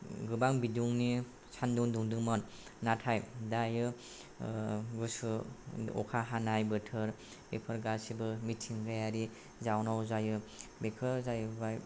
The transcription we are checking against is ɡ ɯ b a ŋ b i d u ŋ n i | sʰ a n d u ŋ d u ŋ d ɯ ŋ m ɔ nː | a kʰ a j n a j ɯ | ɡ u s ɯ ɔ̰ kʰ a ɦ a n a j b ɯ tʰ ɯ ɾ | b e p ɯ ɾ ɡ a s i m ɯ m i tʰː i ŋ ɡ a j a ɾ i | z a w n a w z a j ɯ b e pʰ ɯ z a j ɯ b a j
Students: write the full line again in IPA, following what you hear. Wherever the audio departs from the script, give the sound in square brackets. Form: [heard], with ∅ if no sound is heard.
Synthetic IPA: ɡ ɯ b a ŋ b i d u ŋ n i | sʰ a n d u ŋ d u ŋ d ɯ ŋ m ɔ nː | a [tʰ] a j [d] a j ɯ | ɡ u s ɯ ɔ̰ kʰ a ɦ a n a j b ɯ tʰ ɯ ɾ | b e [pʰ] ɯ ɾ ɡ a s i [b] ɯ m i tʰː i ŋ ɡ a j a ɾ i | z a w n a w z a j ɯ b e [kʰ] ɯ z a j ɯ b a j